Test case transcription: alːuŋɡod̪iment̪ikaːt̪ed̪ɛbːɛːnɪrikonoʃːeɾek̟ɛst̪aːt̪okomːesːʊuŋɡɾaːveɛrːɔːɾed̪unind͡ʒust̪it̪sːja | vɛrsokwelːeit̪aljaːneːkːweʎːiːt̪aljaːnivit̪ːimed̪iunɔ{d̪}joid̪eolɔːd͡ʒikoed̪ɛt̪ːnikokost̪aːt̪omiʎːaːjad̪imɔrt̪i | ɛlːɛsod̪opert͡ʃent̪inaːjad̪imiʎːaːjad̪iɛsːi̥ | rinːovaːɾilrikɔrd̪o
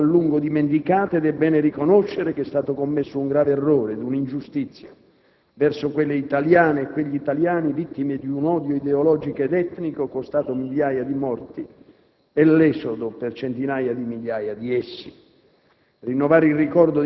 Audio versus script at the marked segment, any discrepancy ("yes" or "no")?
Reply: no